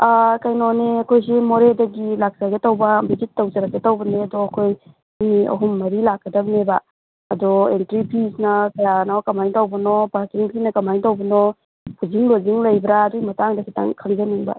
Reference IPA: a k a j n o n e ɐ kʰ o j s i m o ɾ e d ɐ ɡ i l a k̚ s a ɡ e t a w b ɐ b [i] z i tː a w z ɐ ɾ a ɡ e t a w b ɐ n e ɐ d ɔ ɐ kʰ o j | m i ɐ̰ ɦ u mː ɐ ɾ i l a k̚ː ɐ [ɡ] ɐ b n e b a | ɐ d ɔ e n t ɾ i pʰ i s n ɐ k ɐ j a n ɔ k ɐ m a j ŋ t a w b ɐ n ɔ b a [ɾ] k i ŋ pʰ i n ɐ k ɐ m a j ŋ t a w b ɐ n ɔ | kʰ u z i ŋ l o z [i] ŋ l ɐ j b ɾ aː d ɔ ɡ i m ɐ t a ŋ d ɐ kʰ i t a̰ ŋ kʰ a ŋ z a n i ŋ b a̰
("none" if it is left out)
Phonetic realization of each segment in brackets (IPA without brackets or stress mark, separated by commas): i, d, ɾ, i